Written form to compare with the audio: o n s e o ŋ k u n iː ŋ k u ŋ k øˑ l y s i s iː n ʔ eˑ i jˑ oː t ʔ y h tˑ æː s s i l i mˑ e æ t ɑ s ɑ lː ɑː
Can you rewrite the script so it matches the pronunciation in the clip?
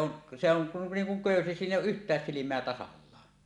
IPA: o n s e o ŋ k u n iː ŋ k u ŋ k øˑ y s i s iː n ʔ eˑ i jˑ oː ʔ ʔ y h tˑ æː s s i l i mˑ e æ t ɑ s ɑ lː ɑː